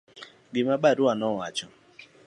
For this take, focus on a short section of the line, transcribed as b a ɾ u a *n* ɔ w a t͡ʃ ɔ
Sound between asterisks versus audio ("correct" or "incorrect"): correct